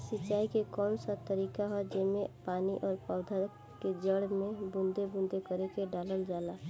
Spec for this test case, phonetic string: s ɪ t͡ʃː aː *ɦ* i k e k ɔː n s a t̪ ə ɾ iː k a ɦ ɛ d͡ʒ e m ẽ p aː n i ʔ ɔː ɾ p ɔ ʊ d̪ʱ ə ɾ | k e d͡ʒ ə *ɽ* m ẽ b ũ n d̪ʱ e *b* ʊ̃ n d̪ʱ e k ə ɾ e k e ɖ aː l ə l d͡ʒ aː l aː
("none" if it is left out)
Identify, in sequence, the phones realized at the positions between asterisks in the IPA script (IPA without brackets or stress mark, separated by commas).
none, ɽ, b